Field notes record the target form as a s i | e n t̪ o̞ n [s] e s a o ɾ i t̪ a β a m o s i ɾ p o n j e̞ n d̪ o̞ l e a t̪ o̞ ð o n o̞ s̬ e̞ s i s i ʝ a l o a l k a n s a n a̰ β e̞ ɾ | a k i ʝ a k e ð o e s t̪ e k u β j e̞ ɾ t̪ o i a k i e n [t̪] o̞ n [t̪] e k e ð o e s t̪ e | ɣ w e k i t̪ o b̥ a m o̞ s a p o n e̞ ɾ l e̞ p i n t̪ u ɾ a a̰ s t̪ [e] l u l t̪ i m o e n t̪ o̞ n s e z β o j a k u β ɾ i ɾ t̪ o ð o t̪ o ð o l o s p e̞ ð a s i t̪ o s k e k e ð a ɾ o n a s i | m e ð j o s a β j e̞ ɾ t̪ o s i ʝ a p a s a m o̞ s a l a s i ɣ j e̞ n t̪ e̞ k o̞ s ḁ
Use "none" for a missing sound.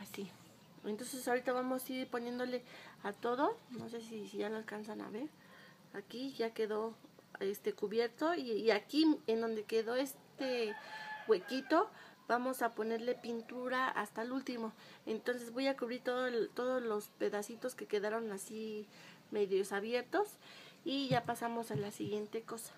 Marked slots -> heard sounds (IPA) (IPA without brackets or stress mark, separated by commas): s, d̪, d̪, a